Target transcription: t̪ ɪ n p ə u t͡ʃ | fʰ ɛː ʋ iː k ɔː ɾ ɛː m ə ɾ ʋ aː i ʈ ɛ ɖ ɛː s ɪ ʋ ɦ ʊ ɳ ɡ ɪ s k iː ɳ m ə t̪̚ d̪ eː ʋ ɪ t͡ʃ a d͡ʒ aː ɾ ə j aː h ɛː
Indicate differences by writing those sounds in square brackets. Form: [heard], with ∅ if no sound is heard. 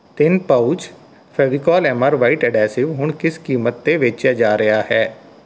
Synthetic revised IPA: t̪ ɪ n p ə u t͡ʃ | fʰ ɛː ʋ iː k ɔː [l] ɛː m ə ɾ ʋ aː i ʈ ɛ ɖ ɛː s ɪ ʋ ɦ ʊ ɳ [k] ɪ s k iː [∅] m ə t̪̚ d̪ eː ʋ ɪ t͡ʃ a d͡ʒ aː ɾ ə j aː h ɛː